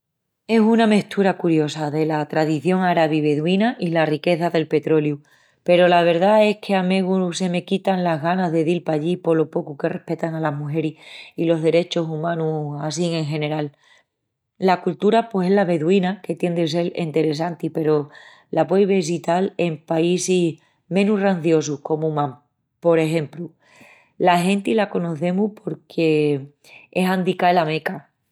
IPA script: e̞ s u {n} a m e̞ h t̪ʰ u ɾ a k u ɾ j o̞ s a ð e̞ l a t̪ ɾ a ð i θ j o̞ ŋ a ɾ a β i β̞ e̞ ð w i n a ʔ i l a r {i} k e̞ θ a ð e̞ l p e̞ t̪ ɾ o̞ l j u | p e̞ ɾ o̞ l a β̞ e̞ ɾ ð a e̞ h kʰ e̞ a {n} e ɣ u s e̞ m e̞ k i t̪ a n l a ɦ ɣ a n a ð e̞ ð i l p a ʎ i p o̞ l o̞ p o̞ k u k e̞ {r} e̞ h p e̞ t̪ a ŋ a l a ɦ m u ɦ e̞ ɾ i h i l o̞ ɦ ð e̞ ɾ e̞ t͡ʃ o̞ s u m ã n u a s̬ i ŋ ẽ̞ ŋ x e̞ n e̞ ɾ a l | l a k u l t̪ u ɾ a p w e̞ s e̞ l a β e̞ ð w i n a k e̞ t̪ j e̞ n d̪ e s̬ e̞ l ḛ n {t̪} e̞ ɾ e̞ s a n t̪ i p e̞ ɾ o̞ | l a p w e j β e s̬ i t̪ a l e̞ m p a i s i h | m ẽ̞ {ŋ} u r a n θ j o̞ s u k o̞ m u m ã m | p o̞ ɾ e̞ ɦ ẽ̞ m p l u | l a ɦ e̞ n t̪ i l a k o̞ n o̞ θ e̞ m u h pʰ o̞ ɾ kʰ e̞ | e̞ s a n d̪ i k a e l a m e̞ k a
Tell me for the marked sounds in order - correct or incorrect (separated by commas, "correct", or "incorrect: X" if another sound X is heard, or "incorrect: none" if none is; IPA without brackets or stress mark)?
correct, correct, incorrect: m, correct, correct, incorrect: n